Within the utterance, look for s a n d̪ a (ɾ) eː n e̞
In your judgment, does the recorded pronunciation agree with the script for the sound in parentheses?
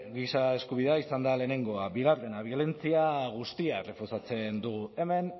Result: no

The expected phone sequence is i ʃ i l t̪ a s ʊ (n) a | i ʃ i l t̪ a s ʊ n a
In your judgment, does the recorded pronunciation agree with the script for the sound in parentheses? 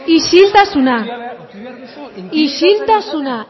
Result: yes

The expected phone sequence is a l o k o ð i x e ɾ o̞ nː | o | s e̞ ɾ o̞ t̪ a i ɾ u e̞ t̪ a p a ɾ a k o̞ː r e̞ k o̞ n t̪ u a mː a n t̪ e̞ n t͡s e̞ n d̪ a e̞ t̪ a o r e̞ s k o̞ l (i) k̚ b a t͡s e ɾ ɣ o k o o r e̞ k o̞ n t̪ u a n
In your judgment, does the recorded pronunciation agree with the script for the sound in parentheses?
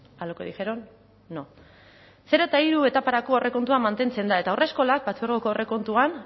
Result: no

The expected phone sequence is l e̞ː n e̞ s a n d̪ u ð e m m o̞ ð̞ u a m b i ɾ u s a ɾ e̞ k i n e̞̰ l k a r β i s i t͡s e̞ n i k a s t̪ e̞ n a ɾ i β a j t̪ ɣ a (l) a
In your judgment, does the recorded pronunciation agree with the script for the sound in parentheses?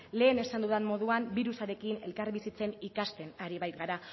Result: no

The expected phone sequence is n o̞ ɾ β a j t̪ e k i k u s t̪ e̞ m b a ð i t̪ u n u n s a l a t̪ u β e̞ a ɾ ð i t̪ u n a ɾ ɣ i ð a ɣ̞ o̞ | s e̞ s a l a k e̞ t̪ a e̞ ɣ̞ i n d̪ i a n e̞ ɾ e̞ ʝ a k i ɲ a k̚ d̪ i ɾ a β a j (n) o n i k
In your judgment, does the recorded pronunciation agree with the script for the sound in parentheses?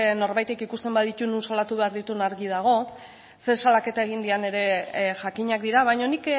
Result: no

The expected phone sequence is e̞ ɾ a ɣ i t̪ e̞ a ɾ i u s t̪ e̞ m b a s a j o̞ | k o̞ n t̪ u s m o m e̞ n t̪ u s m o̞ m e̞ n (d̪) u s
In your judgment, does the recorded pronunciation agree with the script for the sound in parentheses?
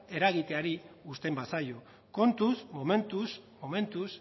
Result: no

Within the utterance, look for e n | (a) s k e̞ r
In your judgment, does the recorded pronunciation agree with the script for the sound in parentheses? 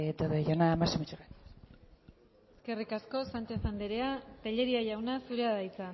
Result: no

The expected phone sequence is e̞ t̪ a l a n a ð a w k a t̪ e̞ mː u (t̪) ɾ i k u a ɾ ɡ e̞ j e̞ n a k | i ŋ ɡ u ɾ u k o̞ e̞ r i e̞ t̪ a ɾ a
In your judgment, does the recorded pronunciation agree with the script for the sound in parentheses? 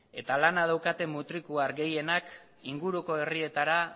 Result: yes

